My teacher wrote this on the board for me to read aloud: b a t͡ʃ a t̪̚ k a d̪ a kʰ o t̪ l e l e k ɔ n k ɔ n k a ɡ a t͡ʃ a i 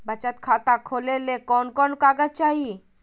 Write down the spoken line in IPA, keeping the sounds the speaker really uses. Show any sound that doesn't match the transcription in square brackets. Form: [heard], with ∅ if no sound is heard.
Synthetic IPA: b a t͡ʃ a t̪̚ [kʰ] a [t̪] a kʰ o [∅] l e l e k ɔ n k ɔ n k a ɡ a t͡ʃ a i